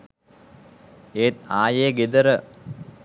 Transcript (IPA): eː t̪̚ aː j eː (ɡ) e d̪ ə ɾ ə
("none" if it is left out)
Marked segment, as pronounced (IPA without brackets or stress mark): ɡ